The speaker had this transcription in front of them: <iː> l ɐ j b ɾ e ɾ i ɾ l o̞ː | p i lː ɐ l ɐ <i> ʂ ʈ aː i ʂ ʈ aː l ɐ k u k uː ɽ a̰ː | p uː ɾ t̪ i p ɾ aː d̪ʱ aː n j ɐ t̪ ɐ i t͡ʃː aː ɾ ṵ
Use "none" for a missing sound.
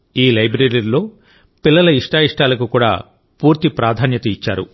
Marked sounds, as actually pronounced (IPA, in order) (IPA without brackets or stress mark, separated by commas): iː, i